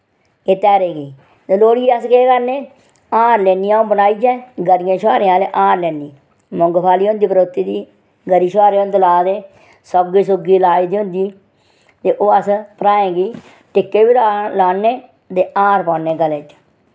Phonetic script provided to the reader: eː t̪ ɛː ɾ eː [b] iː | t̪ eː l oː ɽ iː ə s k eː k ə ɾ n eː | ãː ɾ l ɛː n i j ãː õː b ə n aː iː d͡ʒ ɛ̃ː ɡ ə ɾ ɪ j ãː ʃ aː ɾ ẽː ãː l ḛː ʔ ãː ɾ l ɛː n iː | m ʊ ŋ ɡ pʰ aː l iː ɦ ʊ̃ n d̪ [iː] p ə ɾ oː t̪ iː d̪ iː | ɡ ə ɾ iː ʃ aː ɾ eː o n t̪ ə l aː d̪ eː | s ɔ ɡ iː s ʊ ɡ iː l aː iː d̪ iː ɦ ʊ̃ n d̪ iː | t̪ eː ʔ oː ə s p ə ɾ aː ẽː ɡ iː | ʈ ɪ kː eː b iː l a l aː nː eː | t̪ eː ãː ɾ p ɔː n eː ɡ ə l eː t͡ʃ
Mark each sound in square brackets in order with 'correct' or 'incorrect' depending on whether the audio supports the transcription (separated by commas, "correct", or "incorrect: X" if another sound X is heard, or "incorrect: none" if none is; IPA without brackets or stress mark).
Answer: incorrect: ɡ, correct